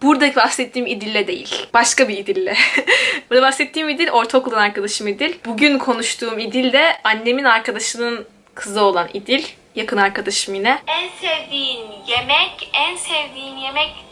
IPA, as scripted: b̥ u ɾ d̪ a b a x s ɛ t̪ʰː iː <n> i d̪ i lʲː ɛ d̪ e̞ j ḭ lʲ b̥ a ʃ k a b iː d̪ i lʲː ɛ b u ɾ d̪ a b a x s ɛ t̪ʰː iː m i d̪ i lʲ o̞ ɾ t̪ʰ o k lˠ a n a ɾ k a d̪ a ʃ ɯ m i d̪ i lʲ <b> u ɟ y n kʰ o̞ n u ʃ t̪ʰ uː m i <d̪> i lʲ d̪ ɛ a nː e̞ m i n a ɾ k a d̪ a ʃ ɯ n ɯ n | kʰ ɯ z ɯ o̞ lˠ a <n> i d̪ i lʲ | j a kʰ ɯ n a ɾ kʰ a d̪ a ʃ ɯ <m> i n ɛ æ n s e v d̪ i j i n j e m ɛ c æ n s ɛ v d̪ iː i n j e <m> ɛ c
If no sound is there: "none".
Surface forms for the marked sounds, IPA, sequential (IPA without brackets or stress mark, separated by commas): m, b, d̪, n, m, m